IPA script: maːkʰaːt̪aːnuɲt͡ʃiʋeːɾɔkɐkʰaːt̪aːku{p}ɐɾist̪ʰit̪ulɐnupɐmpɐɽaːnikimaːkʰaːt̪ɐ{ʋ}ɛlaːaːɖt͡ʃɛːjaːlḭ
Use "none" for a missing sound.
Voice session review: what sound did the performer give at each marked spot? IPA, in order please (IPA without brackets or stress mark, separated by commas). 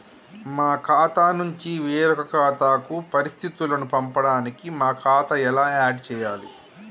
p, none